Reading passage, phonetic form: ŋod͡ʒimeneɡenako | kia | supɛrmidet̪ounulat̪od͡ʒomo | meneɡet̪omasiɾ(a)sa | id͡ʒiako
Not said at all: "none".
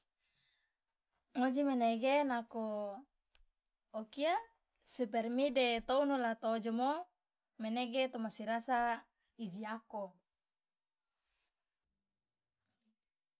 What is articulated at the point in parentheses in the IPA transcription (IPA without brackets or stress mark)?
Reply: a